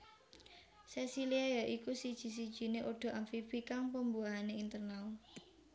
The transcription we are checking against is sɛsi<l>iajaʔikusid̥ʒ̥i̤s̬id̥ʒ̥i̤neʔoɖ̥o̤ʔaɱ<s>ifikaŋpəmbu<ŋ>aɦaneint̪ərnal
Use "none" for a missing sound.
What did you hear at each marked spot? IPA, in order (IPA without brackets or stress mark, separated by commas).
l, f, none